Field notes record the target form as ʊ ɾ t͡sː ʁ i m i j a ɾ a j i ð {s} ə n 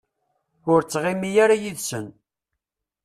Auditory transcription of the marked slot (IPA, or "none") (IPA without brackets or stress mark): s